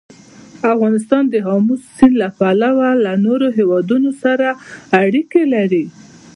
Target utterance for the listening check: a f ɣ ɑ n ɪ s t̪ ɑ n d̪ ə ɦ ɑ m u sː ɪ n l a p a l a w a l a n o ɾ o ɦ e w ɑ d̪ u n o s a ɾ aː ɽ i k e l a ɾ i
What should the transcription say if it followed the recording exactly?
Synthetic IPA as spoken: a f ɣ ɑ n ɪ s t̪ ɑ n d̪ ə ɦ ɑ m u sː i n l a p a l a w a l a n o ɾ o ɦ e w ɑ d̪ u n o s a ɾ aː ɽ i k e l a ɾ i